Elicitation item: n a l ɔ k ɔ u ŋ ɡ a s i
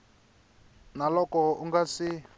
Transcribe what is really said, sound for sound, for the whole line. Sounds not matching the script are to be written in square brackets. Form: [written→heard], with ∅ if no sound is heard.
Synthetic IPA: n a l ɔ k ɔ u ŋ ɡ a s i